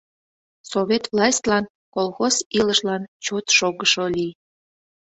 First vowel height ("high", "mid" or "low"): mid